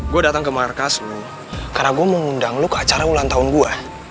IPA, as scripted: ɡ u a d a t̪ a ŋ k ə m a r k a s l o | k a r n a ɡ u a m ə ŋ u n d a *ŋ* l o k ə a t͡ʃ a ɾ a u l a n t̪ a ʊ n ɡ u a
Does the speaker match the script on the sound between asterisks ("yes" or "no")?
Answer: yes